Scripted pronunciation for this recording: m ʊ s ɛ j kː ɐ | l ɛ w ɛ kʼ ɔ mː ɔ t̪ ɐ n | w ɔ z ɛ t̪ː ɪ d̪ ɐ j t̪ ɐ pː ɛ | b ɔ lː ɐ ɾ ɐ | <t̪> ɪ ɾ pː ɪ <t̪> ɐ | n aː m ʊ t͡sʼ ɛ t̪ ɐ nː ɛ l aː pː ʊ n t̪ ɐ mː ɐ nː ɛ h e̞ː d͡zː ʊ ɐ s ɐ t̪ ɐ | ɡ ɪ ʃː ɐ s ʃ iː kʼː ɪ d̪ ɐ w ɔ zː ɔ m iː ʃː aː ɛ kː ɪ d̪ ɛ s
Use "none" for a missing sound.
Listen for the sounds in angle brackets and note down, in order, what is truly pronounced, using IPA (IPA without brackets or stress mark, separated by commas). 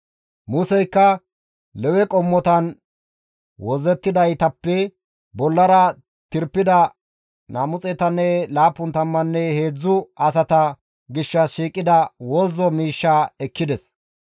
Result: t̪, d̪